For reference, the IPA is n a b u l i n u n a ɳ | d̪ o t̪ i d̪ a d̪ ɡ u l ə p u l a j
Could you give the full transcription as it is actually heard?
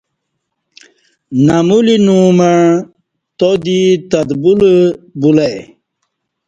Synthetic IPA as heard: n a m u l i n u m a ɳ | t̪ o d̪ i t̪ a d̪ b u l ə b u l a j